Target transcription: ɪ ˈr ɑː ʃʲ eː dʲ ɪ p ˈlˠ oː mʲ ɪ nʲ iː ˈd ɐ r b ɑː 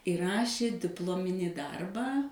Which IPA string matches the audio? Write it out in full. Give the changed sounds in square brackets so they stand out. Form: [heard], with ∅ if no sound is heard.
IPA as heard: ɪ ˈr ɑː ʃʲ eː dʲ ɪ p ˈlˠ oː mʲ ɪ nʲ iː ˈd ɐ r b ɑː

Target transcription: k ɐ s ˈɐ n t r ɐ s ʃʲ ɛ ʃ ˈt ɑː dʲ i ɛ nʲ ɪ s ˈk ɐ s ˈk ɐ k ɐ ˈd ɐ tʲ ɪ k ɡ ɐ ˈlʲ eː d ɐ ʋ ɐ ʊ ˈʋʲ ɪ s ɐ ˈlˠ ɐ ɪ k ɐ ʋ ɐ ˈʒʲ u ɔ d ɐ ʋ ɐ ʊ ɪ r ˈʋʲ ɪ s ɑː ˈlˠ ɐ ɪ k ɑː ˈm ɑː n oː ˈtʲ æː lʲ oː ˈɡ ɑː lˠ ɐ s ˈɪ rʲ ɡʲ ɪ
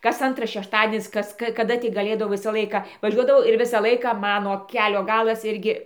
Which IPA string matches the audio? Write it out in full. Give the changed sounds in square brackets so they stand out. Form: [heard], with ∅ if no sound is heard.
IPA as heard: k ɐ s ˈɐ n t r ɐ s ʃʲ ɛ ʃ ˈt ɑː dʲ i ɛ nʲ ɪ s ˈk ɐ s ˈk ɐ k ɐ ˈd ɐ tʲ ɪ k ɡ ɐ ˈlʲ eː d ɐ ʋ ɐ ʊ ˈʋʲ ɪ s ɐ ˈlˠ ɐ ɪ k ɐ ʋ ɐ ˈʒʲ u ɔ d ɐ ʋ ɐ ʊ ɪ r ˈʋʲ ɪ s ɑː ˈlˠ ɐ ɪ k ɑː ˈm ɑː n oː [ˈkʲ] æː lʲ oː ˈɡ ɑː lˠ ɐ s ˈɪ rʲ ɡʲ ɪ

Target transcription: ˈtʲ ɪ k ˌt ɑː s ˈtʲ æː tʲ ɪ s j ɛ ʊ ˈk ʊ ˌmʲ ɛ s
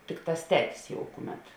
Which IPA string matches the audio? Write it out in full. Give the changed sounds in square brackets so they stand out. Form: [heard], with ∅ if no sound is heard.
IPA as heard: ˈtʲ ɪ k ˌt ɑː s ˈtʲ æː tʲ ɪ s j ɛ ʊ ˈk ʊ ˌmʲ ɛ [t]

